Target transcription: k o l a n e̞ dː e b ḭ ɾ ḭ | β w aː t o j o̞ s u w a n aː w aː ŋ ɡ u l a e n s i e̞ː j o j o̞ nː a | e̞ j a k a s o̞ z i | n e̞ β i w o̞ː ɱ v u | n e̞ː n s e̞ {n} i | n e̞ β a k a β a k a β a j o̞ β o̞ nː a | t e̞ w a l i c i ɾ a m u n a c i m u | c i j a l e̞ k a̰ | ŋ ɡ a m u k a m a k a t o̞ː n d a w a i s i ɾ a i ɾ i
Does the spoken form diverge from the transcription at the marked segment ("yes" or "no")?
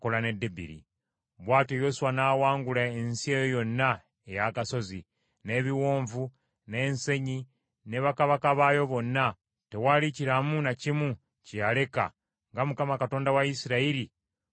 yes